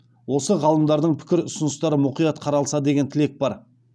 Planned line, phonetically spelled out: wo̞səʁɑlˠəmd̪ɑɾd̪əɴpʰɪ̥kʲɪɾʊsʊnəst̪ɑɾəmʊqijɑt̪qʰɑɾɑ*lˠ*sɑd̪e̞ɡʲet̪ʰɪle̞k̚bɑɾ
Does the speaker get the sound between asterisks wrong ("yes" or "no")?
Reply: no